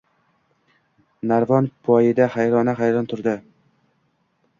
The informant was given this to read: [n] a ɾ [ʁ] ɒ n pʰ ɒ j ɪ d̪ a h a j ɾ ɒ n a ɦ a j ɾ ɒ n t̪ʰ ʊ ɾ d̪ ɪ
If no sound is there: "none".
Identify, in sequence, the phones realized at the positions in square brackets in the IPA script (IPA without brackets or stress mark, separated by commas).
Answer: n, v